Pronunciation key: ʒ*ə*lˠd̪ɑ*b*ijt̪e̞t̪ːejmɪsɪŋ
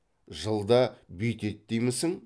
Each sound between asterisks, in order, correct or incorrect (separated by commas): correct, correct